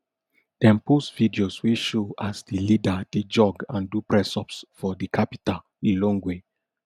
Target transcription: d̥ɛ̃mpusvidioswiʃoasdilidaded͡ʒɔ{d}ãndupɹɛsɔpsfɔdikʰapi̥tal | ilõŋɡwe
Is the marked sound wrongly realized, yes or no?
yes